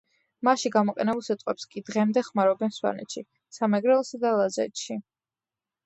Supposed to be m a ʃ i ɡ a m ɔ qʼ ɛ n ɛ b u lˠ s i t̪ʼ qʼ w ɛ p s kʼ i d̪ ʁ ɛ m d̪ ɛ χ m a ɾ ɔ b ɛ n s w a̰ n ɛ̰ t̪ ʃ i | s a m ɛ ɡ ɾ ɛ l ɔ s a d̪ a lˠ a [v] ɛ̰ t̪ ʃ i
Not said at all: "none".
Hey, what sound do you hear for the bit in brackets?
z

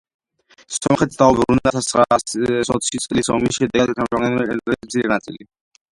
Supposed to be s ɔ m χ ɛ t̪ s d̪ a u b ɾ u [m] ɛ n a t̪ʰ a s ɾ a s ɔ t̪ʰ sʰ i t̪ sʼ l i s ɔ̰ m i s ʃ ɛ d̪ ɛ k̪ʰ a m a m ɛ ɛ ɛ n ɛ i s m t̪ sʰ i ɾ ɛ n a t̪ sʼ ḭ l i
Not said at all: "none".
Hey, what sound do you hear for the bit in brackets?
n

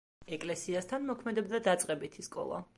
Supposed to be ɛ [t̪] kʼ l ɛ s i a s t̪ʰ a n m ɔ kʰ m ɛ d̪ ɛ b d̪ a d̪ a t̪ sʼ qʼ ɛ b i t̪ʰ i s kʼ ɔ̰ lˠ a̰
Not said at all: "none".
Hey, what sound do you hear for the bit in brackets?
none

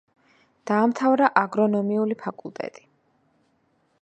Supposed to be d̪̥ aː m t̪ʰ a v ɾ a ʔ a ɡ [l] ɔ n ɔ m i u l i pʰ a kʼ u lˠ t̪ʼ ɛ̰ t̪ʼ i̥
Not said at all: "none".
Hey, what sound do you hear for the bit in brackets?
ɾ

